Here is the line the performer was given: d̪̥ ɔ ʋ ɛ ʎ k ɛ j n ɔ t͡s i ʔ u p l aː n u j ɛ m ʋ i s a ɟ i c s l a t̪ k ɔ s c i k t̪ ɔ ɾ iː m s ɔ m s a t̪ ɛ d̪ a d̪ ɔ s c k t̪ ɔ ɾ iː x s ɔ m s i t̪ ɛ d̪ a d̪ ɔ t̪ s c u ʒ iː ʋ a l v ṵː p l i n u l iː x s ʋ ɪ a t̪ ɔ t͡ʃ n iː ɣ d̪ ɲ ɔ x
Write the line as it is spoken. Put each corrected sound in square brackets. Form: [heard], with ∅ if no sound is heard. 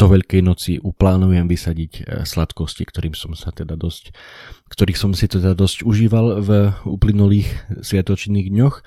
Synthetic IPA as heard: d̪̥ ɔ ʋ ɛ ʎ k ɛ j n ɔ t͡s i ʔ u p l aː n u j ɛ m ʋ i s a ɟ i c s l a t̪ k ɔ s c i k t̪ ɔ ɾ iː m s ɔ m s a t̪ ɛ d̪ a d̪ ɔ s c k t̪ ɔ ɾ iː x s ɔ m s i t̪ ɛ d̪ a d̪ ɔ [∅] s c u ʒ iː ʋ a l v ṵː p l i n u l iː x s ʋ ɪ a t̪ ɔ t͡ʃ n iː ɣ d̪ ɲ ɔ x